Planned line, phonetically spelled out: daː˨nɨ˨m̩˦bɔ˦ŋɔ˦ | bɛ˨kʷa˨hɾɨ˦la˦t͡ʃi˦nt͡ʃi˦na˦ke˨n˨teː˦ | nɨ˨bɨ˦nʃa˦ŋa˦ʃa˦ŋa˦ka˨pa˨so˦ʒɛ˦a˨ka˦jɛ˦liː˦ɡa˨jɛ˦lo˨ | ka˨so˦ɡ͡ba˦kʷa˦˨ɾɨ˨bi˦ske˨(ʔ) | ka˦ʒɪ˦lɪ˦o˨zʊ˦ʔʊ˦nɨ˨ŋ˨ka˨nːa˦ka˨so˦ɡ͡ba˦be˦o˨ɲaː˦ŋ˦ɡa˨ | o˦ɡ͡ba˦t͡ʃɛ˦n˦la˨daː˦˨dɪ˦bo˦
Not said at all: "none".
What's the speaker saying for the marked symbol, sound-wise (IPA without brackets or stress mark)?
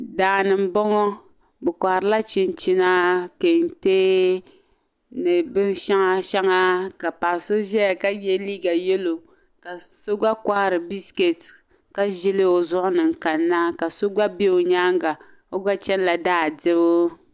t